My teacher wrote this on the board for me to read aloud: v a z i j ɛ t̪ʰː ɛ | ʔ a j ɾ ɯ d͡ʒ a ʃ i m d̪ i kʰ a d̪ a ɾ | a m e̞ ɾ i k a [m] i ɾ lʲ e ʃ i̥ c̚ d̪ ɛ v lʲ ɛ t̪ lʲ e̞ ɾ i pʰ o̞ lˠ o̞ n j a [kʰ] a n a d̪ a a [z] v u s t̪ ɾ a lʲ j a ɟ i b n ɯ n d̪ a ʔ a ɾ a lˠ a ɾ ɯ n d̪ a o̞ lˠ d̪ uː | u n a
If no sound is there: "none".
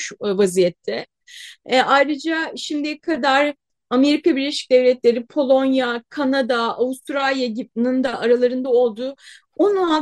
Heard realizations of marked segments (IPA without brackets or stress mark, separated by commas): b, kʰ, none